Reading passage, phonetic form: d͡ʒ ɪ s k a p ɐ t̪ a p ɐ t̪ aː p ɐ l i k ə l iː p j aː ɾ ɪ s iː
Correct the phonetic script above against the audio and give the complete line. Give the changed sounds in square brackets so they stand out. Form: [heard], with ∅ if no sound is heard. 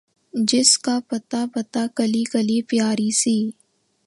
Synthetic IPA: d͡ʒ ɪ s k a p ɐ t̪ a p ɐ t̪ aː [k] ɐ l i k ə l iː p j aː ɾ [i] s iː